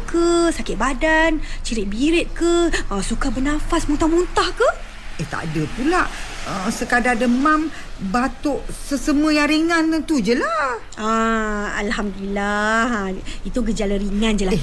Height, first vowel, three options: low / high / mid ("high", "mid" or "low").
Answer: mid